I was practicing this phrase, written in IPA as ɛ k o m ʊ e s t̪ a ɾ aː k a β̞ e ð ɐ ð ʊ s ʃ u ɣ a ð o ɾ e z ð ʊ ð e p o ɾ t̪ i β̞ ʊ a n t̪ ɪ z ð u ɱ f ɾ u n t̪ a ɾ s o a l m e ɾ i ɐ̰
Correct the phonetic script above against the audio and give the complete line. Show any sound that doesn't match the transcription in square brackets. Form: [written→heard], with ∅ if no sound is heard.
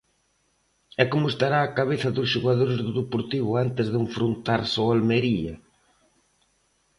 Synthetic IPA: ɛ k o m ʊ e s t̪ a ɾ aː k a β̞ e [ð→θ] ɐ ð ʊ s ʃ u ɣ a ð o ɾ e z ð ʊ ð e p o ɾ t̪ i β̞ ʊ a n t̪ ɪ z ð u ɱ f ɾ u n t̪ a ɾ s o a l m e ɾ i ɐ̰